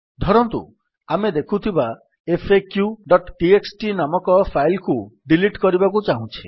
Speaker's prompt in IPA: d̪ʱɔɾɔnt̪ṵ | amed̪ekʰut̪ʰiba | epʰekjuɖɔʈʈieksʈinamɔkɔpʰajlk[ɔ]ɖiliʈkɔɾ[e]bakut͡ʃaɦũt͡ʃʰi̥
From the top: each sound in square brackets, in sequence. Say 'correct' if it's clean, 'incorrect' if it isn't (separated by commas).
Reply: incorrect, incorrect